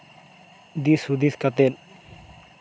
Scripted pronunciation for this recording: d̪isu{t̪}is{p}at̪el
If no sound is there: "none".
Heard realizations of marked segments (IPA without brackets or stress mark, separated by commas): d̪, k